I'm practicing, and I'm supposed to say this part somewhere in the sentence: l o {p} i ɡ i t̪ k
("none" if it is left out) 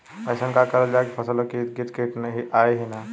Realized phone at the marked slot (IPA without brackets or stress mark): k